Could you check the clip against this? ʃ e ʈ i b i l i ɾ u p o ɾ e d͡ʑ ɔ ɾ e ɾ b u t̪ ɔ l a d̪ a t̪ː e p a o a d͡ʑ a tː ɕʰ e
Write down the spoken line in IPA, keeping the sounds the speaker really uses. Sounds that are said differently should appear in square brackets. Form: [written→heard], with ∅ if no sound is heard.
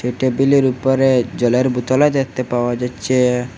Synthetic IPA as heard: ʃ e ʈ [i→e] b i l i ɾ u p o ɾ e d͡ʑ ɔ [ɾ→l] e ɾ b u t̪ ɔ l a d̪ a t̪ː e p a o a d͡ʑ a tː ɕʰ e